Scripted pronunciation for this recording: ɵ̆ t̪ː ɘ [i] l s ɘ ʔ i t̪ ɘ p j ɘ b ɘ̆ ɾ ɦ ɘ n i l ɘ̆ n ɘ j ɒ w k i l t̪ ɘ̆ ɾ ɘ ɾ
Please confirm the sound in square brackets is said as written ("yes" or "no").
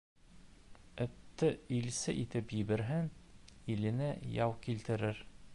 yes